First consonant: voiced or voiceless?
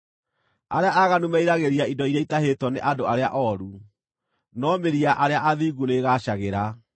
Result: voiced